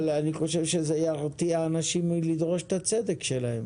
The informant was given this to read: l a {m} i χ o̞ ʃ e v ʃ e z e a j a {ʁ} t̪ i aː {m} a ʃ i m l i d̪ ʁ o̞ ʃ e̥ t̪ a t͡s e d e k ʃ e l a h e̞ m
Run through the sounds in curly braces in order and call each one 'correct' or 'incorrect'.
incorrect: n, correct, incorrect: n

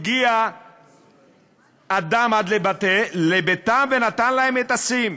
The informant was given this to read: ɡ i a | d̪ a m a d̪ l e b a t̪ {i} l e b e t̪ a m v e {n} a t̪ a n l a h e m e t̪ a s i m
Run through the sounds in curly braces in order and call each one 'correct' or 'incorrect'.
incorrect: e, correct

